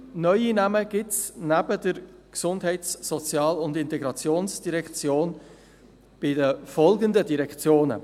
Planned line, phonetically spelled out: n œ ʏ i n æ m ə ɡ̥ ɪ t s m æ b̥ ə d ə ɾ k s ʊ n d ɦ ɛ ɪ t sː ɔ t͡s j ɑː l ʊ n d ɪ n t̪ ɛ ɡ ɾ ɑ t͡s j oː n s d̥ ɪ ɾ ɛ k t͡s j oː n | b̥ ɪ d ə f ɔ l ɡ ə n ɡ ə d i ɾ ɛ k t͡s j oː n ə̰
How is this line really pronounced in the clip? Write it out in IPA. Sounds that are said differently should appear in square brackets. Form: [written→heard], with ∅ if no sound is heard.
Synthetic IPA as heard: n œ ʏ i n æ m ə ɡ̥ ɪ t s [m→n] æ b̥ ə d ə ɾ k s ʊ n d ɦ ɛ ɪ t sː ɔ t͡s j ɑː l ʊ n d ɪ n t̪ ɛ ɡ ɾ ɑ t͡s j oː n s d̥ [ɪ→i] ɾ ɛ k t͡s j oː n | b̥ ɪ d ə f ɔ l ɡ ə n [ɡ→d] ə d i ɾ ɛ k t͡s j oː n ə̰